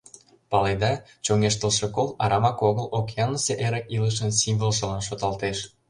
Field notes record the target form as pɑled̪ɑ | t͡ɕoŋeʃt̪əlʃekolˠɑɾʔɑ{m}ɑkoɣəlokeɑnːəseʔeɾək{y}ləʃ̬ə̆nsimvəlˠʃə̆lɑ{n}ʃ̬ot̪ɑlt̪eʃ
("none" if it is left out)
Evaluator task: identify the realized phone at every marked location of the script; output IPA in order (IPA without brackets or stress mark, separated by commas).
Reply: m, i, n